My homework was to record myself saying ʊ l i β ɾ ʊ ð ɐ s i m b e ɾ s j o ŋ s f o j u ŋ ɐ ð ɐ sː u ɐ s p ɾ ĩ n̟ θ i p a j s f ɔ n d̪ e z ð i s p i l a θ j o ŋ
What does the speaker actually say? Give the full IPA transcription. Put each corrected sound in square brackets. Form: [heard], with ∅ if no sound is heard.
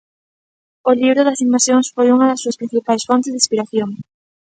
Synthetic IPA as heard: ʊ l i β ɾ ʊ ð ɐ s i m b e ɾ s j o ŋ s f o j u ŋ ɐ ð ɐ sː u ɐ s p ɾ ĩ n̟ θ i p a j s f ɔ n [t̪] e z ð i s p i [ɾ] a θ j o ŋ